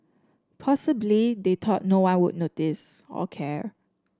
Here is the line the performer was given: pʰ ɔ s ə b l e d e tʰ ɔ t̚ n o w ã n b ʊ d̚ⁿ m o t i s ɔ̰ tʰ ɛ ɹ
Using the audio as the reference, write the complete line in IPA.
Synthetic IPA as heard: pʰ ɔ s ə b l i d e tʰ ɔ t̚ n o w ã n w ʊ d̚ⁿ n o t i s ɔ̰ kʰ ɛ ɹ